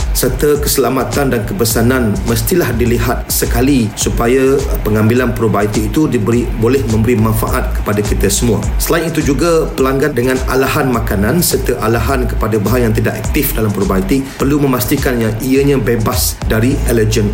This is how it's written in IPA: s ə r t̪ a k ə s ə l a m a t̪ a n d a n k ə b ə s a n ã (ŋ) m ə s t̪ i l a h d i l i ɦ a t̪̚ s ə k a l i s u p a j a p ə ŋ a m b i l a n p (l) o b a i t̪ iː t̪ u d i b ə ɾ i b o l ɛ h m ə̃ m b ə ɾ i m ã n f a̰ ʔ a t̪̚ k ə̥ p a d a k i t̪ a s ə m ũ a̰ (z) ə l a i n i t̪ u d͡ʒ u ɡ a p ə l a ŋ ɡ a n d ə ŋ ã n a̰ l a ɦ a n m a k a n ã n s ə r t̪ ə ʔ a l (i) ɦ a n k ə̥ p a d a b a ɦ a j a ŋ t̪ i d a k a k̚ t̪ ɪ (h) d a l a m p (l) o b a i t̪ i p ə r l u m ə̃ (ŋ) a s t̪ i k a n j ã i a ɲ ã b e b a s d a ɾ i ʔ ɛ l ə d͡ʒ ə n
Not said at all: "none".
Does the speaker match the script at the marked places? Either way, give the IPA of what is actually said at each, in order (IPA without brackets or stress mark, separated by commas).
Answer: n, ɾ, s, a, f, ɾ, m